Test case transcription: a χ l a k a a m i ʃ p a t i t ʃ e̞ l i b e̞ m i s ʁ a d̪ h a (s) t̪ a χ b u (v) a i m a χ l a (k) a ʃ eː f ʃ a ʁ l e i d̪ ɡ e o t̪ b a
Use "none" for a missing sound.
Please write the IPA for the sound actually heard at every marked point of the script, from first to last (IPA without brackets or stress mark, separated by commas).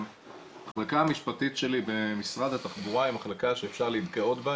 none, ʁ, k